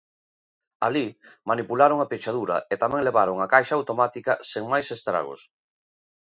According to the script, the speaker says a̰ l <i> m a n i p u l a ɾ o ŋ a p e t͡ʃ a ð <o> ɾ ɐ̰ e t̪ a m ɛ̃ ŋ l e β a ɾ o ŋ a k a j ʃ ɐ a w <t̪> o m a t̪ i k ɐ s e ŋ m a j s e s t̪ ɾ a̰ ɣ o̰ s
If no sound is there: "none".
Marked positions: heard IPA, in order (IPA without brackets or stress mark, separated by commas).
i, u, t̪